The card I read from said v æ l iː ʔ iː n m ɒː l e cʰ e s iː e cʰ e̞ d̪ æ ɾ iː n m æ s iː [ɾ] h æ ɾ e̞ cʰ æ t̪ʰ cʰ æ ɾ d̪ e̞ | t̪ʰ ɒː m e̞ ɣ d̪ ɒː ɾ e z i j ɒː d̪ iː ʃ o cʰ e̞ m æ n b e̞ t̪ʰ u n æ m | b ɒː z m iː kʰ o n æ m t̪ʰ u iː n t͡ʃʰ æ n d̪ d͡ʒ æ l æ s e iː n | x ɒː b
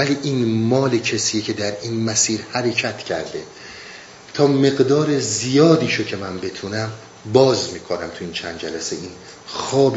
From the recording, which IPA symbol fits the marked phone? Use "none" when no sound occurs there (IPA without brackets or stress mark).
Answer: ɾ